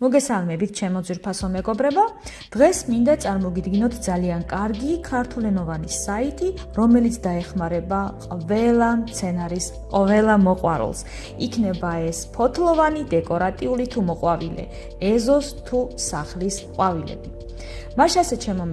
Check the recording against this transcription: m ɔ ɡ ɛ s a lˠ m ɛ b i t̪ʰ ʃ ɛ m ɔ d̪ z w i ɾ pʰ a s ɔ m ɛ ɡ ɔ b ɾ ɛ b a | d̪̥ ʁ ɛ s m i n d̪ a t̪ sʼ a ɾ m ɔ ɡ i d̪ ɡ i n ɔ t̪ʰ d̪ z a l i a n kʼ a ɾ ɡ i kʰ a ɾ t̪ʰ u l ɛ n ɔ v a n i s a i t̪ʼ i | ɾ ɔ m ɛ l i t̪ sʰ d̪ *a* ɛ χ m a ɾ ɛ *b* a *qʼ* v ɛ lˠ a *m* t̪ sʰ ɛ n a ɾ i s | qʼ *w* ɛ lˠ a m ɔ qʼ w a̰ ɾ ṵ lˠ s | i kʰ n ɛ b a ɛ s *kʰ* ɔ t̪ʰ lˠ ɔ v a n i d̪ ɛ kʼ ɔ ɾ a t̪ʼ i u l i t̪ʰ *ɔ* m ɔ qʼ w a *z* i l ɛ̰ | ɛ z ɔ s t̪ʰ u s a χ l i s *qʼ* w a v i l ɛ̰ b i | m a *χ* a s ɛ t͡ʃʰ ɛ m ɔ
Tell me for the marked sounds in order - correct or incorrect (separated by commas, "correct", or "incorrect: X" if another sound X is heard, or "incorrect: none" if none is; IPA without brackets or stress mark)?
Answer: correct, correct, correct, correct, incorrect: v, incorrect: pʰ, incorrect: u, incorrect: v, correct, incorrect: ʃ